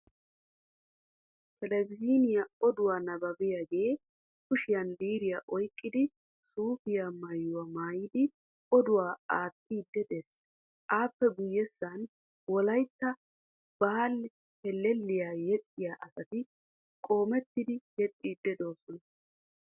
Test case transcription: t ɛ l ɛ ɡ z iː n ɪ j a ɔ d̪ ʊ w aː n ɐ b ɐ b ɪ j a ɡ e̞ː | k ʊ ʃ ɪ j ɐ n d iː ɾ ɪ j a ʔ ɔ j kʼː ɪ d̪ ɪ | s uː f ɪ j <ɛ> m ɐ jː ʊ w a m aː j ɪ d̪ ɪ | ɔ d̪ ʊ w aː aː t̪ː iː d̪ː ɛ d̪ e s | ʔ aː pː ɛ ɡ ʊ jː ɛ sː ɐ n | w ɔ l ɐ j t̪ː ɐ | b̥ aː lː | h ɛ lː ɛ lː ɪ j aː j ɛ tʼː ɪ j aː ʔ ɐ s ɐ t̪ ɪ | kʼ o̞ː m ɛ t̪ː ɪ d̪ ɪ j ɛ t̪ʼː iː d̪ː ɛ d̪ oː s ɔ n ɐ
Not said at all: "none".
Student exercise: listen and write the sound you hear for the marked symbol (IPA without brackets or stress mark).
a